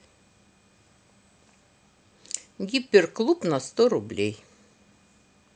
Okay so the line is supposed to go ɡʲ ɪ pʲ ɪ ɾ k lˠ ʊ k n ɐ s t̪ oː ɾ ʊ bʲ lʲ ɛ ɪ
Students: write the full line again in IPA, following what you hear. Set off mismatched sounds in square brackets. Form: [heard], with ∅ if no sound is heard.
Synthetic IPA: ɡʲ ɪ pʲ ɪ ɾ k lˠ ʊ [p] n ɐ s t̪ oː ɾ ʊ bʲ lʲ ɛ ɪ